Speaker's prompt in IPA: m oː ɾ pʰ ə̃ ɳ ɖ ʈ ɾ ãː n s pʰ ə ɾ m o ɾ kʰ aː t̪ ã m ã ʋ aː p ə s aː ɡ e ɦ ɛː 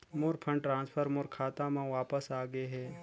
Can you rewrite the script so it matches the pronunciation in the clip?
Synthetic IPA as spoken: m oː ɾ pʰ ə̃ ɳ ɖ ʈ ɾ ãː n s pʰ ə ɾ m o ɾ kʰ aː t̪ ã m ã ʋ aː p ə s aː ɡ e ɦ ɛː